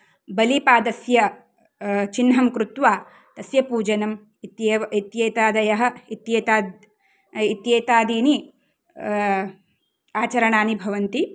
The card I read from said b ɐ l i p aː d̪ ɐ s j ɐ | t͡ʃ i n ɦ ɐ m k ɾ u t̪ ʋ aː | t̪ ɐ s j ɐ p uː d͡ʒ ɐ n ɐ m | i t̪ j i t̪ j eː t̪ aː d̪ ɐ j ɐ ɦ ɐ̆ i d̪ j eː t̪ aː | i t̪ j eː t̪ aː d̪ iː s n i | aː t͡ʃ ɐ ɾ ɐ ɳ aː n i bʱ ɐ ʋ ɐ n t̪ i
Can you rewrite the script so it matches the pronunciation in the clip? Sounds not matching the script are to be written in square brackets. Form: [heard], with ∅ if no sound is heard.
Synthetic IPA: b ɐ l i p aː d̪ ɐ s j ɐ | t͡ʃ i n ɦ ɐ m k ɾ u t̪ ʋ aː | t̪ ɐ s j ɐ p uː d͡ʒ ɐ n ɐ m | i t̪ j i t̪ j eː t̪ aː d̪ ɐ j ɐ ɦ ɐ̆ i [t̪] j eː t̪ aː | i t̪ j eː t̪ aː d̪ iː [∅] n i | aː t͡ʃ ɐ ɾ ɐ ɳ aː n i bʱ ɐ ʋ ɐ n t̪ i